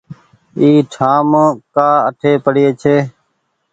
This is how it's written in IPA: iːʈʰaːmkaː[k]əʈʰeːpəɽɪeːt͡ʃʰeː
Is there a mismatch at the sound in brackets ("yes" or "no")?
yes